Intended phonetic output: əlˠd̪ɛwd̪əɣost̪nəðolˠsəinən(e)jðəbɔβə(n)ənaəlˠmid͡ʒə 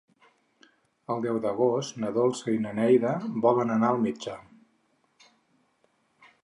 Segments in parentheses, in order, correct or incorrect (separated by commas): incorrect, correct